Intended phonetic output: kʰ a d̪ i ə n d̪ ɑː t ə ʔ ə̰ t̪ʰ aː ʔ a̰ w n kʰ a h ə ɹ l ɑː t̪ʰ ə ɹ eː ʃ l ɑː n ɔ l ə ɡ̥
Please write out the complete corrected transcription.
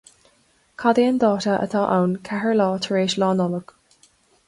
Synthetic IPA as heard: kʰ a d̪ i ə n d̪ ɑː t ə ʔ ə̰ t̪ʰ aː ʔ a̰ w n kʰ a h ə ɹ l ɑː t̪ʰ ə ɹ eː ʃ l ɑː n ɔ l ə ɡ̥

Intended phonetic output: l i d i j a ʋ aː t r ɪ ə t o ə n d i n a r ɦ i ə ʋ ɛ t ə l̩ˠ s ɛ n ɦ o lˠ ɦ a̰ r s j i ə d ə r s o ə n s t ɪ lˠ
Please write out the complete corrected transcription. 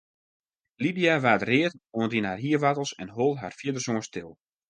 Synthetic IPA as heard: l i d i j a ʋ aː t r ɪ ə t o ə n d i n a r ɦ i ə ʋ a t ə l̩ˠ s ɛ n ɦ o lˠ ɦ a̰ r f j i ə d ə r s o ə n s t ɪ lˠ

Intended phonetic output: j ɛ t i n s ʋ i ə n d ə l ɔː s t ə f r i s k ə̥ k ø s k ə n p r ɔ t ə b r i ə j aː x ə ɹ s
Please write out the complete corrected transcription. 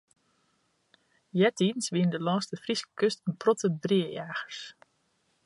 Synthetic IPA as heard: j ɛ t i n s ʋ i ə n d ə l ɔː s t ə f r i s k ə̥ k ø s t ə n p r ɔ t ə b r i ə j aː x ə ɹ s

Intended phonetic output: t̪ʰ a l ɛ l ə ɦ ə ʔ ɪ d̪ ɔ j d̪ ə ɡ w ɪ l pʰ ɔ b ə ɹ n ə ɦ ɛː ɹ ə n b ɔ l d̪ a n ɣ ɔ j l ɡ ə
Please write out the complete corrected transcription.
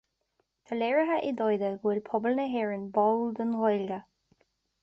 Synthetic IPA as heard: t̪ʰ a l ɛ ɹ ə ɦ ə ʔ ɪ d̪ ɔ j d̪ ə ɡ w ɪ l pʰ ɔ b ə l n ə ɦ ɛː ɹ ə n b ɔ l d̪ ə n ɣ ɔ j l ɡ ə

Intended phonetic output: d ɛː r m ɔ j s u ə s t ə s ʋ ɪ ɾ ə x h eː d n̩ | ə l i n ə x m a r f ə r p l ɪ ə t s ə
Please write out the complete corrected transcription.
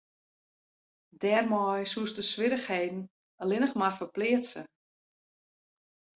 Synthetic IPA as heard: d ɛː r m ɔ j s u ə s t ə s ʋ ɪ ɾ ə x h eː d n̩ | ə l ɪ n ə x m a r f ə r p l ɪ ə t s ə

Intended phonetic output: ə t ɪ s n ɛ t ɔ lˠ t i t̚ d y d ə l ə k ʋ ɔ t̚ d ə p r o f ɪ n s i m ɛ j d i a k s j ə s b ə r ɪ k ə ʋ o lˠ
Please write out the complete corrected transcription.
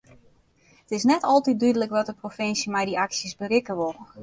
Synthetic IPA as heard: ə t ɪ s n ɛ t ɔ lˠ t i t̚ d y d ə l ə k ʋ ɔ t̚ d ə p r o f ɪ n s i m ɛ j d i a k s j ə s b ə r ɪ k ə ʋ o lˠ

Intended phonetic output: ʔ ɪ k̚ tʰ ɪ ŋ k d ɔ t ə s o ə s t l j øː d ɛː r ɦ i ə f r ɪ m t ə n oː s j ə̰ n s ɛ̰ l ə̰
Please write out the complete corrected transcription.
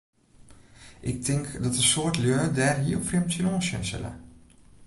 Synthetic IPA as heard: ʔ ɪ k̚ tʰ ɪ ŋ k d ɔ t ə s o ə t l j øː d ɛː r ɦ i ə f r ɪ m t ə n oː s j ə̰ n s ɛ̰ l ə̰

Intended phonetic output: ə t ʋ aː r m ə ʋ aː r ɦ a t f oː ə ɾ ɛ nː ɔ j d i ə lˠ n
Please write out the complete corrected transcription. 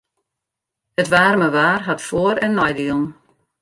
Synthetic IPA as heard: ə t ʋ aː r m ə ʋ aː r ɦ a t f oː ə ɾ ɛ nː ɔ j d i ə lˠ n

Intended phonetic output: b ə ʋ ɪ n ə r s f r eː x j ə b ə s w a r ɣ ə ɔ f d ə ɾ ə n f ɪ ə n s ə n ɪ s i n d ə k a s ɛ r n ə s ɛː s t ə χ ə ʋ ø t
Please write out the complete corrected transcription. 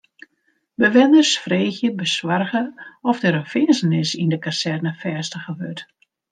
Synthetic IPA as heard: b ə ʋ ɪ n ə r s f r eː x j ə b ə s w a r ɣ ə ɔ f d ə ɾ ə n f ɪ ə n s ə n ɪ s i n d ə k a s ɛ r n ə f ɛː s t ə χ ə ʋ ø t

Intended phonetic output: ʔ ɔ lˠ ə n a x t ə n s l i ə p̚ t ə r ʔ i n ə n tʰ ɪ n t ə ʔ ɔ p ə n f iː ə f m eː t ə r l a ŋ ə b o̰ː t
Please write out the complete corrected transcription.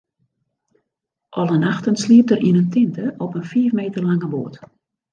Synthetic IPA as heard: ʔ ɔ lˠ ə n a x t ə n s l i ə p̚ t ə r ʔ i n ə n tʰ ɪ n t ə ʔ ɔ p ə n f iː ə f m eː t ə r l a ŋ ə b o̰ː t

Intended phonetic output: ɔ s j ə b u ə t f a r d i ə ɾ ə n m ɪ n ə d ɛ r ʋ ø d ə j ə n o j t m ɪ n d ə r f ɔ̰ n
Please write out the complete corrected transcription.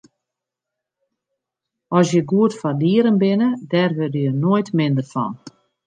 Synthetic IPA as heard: ɔ s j ə ɡ u ə t f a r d i ə ɾ ə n b ɪ n ə d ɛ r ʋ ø d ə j ə n o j t m ɪ n d ə r f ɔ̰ n

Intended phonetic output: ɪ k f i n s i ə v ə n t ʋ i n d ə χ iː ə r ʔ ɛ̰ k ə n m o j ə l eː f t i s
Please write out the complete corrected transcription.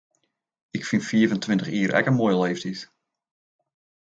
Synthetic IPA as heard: ɪ k f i n f i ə v ə n t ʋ ɪ n t ə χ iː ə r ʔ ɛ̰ k ə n m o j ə l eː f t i s

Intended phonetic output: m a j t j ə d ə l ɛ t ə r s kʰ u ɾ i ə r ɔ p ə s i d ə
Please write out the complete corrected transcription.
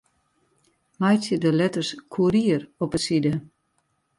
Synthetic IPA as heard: m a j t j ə d ə l ɛ t ə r s kʰ u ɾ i ə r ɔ p ə s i d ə

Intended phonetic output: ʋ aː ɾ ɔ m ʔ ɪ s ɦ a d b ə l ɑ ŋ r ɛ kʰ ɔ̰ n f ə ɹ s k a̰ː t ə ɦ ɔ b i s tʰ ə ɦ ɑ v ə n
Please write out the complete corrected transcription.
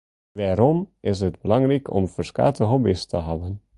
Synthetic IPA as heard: ʋ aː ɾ ɔ m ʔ ɪ s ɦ ə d b ə l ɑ ŋ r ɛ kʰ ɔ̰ m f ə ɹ s k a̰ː t ə ɦ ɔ b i s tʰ ə ɦ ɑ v ə n

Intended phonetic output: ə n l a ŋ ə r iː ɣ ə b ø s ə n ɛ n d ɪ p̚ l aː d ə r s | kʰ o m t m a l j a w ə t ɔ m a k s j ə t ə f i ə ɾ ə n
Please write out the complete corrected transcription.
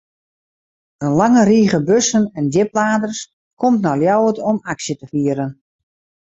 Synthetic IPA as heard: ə n l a ŋ ə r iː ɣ ə b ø s ə n ɛ n d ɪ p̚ l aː d ə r s | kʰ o m t n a l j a w ə t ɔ m a k s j ə t ə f i ə ɾ ə n

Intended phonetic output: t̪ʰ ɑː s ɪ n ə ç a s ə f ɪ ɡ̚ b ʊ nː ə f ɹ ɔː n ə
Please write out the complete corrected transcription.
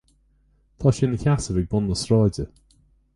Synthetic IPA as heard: t̪ʰ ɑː ʃ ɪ n ə ç a s ə v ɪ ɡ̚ b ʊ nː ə s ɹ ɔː d ə

